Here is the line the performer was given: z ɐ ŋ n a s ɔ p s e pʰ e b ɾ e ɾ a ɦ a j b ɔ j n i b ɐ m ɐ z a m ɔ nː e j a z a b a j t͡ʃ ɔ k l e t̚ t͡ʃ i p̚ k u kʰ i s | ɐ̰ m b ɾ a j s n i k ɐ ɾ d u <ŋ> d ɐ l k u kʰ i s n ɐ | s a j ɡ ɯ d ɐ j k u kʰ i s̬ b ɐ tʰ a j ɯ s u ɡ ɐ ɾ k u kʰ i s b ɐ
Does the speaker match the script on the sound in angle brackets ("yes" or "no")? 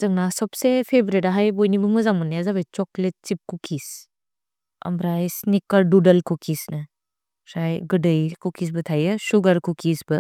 no